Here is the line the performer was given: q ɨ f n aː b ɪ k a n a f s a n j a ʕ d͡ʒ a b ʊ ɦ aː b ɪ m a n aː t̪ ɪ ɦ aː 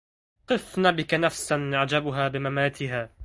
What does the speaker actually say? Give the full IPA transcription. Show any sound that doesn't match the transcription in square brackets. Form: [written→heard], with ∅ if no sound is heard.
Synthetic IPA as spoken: q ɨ f n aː b ɪ k a n a f s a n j a ʕ d͡ʒ a b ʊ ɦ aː b ɪ m a [n→m] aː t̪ ɪ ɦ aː